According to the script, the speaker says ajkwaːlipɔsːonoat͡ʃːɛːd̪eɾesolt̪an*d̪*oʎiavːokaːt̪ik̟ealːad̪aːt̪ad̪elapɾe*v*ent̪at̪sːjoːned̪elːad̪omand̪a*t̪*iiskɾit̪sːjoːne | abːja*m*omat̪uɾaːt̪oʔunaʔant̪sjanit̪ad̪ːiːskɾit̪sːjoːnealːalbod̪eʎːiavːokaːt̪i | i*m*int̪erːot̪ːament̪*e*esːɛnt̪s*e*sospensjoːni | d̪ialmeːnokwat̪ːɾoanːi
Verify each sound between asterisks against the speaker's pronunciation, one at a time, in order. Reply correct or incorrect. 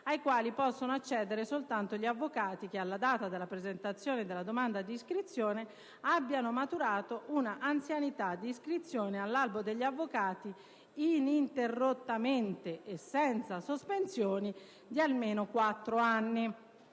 incorrect, incorrect, incorrect, incorrect, incorrect, correct, incorrect

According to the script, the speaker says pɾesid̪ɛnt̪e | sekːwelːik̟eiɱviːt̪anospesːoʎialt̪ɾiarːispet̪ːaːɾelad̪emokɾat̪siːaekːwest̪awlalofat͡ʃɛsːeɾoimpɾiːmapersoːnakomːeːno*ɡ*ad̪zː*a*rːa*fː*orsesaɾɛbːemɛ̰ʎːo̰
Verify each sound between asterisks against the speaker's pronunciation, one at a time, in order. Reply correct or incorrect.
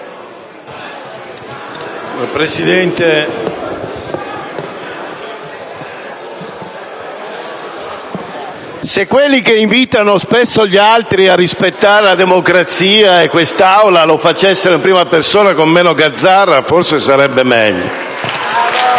correct, correct, incorrect

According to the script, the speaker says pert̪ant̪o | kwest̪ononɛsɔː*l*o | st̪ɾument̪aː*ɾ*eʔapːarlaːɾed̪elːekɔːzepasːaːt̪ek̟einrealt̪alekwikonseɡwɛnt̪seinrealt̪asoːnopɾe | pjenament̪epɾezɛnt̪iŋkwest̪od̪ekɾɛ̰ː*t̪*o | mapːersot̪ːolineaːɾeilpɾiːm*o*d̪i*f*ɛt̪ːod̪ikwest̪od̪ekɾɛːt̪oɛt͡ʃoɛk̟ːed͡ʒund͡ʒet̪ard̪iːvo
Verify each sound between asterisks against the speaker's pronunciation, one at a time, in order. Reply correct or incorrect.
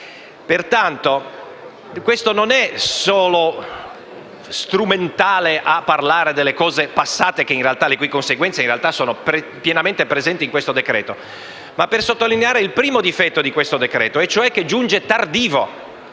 correct, incorrect, correct, correct, correct

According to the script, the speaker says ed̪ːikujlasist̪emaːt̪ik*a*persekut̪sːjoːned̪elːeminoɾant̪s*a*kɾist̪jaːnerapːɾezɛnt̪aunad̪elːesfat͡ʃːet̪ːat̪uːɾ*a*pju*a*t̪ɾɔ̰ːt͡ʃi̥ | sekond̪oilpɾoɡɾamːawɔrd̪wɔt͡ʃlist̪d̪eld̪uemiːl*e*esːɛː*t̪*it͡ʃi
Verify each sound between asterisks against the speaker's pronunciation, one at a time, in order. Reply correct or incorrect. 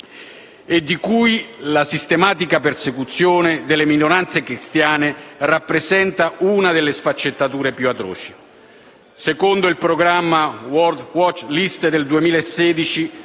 correct, incorrect, incorrect, correct, incorrect, incorrect

